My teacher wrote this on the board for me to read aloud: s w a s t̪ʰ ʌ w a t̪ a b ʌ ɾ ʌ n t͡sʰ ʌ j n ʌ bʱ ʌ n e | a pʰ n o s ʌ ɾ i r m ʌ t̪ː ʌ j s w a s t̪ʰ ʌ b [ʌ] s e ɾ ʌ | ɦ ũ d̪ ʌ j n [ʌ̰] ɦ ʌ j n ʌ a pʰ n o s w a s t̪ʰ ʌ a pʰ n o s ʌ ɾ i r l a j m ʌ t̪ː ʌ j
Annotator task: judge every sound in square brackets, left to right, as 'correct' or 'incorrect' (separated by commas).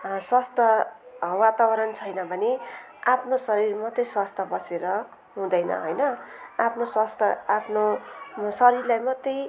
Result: correct, correct